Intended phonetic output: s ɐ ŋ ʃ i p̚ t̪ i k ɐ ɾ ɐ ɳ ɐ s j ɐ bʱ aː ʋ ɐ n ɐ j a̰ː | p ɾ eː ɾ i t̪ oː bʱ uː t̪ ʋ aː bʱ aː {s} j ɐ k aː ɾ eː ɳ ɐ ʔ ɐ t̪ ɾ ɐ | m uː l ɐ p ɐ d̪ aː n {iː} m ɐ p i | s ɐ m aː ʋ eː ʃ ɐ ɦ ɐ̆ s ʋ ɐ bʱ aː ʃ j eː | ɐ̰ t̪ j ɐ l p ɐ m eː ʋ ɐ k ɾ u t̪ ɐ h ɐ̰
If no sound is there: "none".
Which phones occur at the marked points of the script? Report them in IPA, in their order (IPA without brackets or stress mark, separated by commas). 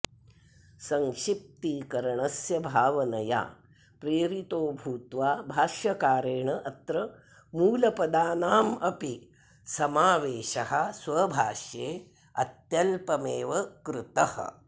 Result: ʃ, aː